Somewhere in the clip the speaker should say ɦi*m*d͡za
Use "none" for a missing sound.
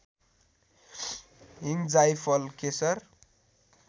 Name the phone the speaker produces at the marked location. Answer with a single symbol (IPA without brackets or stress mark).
ŋ